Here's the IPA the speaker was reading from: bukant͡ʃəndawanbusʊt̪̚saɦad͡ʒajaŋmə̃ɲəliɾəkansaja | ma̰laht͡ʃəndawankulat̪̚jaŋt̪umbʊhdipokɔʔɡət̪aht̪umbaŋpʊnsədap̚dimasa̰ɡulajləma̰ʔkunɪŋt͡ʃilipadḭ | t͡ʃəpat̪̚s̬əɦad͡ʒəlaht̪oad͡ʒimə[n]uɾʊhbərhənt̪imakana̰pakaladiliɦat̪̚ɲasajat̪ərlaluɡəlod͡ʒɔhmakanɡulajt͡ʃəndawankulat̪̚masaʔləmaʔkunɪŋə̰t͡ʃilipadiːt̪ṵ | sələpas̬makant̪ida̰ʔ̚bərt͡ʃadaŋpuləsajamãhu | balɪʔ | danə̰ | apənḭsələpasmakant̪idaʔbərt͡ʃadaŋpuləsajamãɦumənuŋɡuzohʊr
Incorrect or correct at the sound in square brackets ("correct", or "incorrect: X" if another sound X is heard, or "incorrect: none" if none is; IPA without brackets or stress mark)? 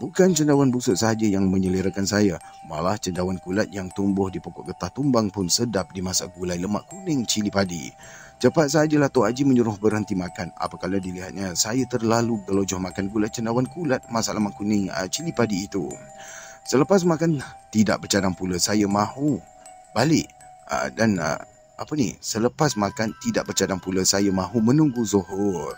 incorrect: ɲ